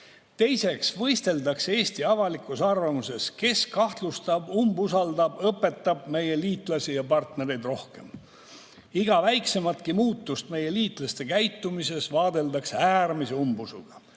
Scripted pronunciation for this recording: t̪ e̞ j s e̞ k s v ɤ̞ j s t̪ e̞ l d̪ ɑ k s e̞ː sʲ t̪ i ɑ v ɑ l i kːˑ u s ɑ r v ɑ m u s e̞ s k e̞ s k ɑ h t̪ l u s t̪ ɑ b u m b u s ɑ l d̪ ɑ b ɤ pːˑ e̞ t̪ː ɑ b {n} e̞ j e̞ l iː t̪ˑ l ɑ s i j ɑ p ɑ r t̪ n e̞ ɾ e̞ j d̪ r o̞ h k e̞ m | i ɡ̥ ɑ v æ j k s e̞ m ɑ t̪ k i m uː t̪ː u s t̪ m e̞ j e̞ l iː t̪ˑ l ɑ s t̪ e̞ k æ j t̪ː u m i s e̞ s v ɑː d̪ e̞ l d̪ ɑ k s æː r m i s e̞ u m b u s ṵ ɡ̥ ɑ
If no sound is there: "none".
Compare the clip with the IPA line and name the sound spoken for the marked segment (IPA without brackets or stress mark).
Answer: m